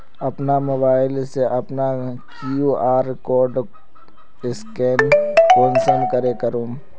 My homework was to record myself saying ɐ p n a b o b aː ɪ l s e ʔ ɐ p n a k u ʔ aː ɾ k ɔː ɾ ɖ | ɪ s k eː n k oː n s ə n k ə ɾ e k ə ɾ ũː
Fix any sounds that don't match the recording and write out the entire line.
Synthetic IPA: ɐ p n a m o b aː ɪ l s e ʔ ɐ p n a k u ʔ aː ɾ k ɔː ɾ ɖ | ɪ s k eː n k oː n s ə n k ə ɾ e k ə ɾ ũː